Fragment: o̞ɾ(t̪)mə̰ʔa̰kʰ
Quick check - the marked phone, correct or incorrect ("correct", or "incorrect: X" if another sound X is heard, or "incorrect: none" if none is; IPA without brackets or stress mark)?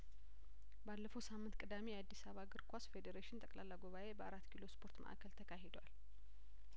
correct